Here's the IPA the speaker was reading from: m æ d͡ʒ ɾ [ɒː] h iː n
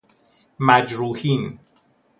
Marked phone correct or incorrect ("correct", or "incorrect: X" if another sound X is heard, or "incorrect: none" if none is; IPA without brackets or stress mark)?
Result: incorrect: uː